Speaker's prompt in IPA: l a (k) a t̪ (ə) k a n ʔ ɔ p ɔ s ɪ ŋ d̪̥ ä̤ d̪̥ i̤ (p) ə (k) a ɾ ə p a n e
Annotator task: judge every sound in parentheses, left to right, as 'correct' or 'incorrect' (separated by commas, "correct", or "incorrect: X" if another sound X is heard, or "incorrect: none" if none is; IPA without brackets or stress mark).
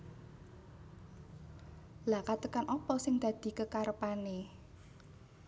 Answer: correct, correct, incorrect: k, correct